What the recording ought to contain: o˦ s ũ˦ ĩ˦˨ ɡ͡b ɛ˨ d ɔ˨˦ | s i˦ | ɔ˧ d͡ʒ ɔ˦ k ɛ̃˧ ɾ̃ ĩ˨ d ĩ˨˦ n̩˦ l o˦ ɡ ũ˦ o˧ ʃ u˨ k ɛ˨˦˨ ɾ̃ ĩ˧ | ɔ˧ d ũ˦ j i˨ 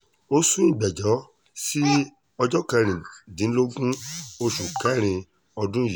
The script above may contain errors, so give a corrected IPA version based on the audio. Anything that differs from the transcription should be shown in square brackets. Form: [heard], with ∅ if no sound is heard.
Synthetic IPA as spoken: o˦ s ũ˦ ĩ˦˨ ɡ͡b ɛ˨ [d͡ʒ] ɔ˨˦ | s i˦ | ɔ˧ d͡ʒ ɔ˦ k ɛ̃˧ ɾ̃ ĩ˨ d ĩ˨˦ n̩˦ l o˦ ɡ ũ˦ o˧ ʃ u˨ k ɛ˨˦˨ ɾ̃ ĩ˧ | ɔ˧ d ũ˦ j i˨